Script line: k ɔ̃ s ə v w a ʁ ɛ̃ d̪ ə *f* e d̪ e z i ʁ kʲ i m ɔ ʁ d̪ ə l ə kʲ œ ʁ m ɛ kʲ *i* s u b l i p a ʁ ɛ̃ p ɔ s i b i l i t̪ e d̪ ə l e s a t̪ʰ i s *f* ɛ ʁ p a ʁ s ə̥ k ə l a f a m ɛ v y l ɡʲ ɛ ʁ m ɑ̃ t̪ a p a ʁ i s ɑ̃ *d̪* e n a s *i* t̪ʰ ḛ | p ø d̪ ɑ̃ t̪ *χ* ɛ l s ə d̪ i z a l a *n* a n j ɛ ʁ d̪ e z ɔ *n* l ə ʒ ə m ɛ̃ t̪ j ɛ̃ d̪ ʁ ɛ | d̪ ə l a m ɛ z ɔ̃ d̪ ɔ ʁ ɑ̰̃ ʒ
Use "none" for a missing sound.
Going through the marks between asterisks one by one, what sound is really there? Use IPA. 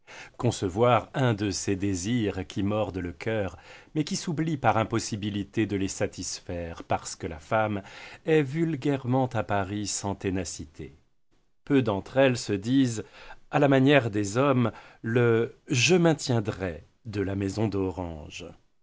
s, i, f, t̪, i, χ, m, m

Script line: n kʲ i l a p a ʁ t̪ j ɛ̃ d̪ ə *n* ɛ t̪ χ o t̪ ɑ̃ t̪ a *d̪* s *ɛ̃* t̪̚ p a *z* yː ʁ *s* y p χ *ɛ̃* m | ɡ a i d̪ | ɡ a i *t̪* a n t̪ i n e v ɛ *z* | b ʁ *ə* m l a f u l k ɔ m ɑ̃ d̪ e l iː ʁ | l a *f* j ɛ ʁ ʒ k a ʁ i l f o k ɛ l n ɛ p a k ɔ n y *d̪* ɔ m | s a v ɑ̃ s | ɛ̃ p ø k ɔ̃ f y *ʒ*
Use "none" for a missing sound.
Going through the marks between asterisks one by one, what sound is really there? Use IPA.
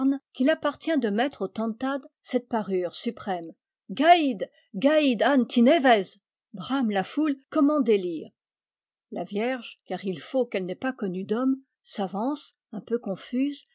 m, d̪, ɛ, ʁ, s, ɛ, d̪, z, a, v, d̪, z

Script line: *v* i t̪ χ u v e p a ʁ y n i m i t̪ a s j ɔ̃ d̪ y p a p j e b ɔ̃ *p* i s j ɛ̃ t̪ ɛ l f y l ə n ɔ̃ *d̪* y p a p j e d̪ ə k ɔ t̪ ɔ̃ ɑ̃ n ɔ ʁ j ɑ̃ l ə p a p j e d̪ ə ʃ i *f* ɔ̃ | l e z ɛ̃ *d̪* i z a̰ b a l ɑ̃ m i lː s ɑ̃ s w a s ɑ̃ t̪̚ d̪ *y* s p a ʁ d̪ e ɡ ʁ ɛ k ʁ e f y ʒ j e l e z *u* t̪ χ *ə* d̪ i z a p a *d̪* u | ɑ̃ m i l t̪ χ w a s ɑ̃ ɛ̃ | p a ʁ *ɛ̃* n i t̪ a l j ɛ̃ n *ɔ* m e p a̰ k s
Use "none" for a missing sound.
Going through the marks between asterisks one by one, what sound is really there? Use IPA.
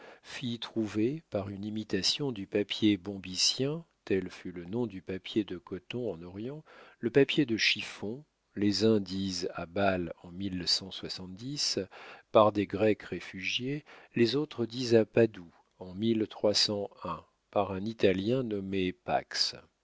f, b, d̪, f, d̪, i, o, ə, d̪, ɛ̃, ɔ

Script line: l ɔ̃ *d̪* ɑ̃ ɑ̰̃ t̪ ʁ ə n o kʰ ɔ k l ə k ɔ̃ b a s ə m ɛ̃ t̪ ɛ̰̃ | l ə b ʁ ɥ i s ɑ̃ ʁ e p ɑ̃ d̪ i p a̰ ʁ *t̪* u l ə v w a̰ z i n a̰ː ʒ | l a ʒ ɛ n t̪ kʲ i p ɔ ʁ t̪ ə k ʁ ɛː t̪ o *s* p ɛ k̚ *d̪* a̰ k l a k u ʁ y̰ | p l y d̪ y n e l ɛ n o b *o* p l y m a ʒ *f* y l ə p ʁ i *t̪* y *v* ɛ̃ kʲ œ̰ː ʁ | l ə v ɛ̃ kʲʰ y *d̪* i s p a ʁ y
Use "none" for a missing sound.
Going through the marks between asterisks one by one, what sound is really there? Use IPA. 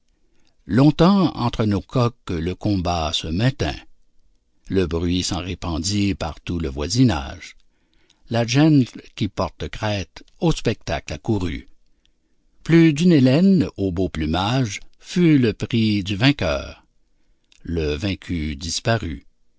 t̪, t̪, s, t̪, o, f, d̪, v, d̪

